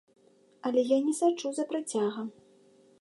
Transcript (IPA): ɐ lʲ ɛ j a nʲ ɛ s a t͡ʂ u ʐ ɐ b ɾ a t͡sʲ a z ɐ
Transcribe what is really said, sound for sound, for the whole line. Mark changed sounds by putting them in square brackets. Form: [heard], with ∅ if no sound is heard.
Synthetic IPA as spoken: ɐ lʲ ɛ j a nʲ ɛ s a t͡ʂ u [z] ɐ [p] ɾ a t͡sʲ a [ɣ] ɐ